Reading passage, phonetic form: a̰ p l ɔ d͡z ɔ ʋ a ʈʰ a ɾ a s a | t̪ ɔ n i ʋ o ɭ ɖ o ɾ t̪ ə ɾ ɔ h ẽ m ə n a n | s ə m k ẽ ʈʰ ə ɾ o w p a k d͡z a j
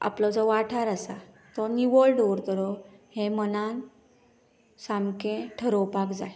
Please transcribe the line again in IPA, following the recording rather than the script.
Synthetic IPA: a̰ p l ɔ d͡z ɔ ʋ a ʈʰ a ɾ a s a | t̪ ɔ n i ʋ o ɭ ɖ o ɾ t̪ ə ɾ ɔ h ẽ m ə n a n | s a m k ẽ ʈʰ ə ɾ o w p a k d͡z a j